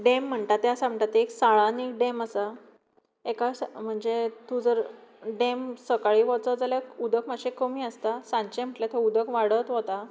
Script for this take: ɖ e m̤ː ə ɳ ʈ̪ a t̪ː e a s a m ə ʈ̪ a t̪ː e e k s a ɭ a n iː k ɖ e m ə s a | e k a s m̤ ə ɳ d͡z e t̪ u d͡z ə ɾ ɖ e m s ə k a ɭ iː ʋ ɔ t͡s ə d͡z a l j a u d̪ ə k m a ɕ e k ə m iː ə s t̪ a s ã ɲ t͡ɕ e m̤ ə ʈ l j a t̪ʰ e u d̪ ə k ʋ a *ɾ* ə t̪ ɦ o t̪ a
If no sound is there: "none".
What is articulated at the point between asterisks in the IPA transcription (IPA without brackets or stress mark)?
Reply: ɽ